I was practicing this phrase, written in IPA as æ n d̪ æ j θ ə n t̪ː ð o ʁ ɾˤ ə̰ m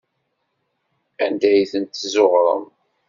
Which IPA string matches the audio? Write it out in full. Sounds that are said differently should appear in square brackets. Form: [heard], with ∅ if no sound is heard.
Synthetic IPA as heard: æ n d̪ æ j θ ə n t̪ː [z] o ʁ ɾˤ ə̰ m